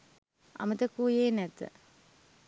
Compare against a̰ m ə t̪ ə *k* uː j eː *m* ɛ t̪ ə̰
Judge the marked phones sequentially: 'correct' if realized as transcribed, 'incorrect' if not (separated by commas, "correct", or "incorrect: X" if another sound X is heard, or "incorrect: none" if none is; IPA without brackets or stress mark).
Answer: correct, incorrect: n